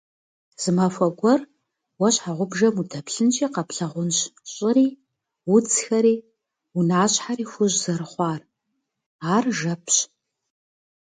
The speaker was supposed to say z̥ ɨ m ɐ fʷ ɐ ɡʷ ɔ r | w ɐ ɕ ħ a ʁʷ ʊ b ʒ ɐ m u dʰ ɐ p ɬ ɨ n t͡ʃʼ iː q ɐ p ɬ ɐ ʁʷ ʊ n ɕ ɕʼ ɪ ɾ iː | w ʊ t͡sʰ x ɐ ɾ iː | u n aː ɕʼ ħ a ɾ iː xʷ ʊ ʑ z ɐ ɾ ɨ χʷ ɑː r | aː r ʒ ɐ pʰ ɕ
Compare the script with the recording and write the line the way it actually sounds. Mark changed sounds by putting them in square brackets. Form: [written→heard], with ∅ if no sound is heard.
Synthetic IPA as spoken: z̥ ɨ m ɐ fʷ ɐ ɡʷ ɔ r | w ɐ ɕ ħ a ʁʷ ʊ b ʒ ɐ m u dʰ ɐ p ɬ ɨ n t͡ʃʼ iː q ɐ p ɬ ɐ ʁʷ ʊ n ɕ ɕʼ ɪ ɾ iː | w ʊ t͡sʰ x ɐ ɾ iː | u n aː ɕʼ ħ a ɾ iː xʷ ʊ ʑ z ɐ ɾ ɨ χʷ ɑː r | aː r ʒ ɐ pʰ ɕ

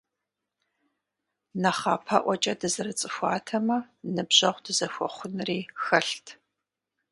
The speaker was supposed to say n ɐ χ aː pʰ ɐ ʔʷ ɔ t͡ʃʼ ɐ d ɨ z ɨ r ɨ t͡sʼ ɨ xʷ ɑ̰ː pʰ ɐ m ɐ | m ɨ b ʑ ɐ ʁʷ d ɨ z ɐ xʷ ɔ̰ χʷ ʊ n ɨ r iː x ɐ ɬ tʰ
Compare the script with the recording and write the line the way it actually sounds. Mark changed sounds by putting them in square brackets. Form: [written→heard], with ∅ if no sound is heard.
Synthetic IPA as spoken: n ɐ χ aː pʰ ɐ ʔʷ ɔ t͡ʃʼ ɐ d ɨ z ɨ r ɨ t͡sʼ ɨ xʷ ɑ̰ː [pʰ→tʰ] ɐ m ɐ | [m→n] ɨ b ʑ ɐ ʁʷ d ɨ z ɐ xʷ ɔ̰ χʷ ʊ n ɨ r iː x ɐ ɬ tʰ

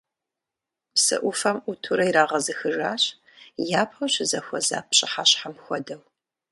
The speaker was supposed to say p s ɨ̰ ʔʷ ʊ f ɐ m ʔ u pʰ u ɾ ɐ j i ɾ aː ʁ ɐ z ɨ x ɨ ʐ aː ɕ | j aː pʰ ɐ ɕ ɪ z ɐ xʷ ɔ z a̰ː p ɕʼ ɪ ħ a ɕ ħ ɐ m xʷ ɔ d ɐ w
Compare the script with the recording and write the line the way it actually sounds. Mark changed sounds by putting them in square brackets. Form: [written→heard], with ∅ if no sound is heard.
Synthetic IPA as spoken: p s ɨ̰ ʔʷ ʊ f ɐ m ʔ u [pʰ→tʰ] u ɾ ɐ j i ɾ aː ʁ ɐ z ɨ x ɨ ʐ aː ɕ | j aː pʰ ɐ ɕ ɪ z ɐ xʷ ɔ z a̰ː p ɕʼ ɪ ħ a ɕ ħ [ɐ→a] m xʷ ɔ d ɐ w

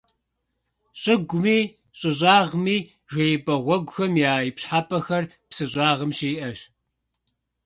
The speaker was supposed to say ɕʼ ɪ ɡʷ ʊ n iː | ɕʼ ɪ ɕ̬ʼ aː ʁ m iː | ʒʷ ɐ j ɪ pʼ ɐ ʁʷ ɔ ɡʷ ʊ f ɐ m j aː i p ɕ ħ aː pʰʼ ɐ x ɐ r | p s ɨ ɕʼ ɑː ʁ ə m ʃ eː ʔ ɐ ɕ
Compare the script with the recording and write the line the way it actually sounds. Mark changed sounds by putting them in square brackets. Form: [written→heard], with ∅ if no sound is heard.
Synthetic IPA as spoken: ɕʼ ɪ ɡʷ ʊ [n→m] iː | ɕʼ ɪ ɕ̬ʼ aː ʁ m iː | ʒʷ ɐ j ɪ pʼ ɐ ʁʷ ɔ ɡʷ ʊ [f→x] ɐ m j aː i p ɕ ħ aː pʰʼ ɐ x ɐ r | p s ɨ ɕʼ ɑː ʁ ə m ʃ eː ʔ ɐ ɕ

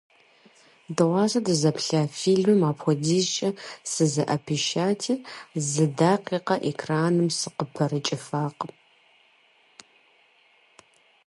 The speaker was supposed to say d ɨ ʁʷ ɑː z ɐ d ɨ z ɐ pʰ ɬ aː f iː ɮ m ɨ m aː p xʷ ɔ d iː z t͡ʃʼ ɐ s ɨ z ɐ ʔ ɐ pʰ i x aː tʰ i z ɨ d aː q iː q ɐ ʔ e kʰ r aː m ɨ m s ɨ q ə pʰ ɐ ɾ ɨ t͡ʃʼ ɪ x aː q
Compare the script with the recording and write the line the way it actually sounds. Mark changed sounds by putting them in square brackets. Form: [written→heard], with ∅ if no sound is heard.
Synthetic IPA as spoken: d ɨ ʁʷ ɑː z ɐ d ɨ z ɐ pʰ ɬ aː f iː ɮ m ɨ m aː p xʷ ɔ d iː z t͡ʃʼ ɐ s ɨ z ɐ ʔ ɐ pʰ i [x→ʃ] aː tʰ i z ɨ d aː q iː q ɐ ʔ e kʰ r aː [m→n] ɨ m s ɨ q ə pʰ ɐ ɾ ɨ t͡ʃʼ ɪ [x→f] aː q

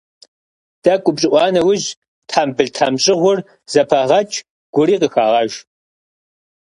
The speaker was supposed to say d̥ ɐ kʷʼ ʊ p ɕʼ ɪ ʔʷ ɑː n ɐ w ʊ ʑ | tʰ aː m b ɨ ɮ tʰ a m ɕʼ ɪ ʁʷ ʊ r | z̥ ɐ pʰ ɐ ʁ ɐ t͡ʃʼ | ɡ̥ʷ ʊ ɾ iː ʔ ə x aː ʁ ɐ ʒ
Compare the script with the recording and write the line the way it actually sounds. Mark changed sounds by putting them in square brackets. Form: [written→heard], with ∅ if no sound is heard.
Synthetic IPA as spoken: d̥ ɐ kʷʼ ʊ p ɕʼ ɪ ʔʷ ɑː n ɐ w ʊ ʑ | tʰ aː m b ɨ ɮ tʰ a m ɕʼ ɪ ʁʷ ʊ r | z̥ ɐ pʰ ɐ ʁ ɐ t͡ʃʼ | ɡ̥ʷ ʊ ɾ iː [ʔ→q] ə x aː ʁ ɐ ʒ

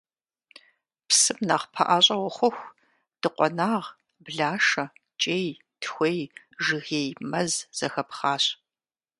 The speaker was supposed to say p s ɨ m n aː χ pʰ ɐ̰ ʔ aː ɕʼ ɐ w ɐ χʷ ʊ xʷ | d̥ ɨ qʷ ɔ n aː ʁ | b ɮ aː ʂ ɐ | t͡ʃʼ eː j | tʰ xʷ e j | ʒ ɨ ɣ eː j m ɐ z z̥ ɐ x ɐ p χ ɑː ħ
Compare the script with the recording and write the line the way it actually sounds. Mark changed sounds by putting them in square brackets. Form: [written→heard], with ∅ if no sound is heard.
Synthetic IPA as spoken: p s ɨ m n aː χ pʰ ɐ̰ ʔ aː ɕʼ ɐ w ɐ χʷ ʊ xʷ | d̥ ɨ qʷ ɔ n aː ʁ | b ɮ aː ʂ ɐ | t͡ʃʼ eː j | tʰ xʷ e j | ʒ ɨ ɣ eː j m ɐ z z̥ ɐ x ɐ p χ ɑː [ħ→ɕ]

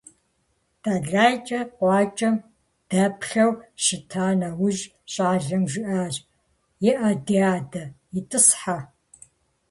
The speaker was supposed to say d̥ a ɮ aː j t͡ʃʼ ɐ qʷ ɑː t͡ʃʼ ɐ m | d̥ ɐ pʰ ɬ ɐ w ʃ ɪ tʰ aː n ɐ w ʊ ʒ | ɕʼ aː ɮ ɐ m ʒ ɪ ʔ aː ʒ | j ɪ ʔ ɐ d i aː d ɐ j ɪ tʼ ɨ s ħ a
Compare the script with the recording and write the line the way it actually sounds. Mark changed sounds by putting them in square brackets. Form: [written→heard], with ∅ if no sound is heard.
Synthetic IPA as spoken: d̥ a ɮ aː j t͡ʃʼ ɐ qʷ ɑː t͡ʃʼ ɐ m | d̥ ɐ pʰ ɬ ɐ w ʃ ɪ tʰ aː n ɐ w ʊ ʒ | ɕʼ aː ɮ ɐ m ʒ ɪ ʔ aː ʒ | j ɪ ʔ ɐ d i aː d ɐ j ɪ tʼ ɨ s ħ a

